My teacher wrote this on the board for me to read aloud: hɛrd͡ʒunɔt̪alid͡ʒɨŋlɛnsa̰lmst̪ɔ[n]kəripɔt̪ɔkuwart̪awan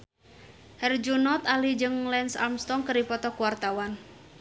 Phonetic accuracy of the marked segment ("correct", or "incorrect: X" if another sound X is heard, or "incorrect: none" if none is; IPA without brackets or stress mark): incorrect: ŋ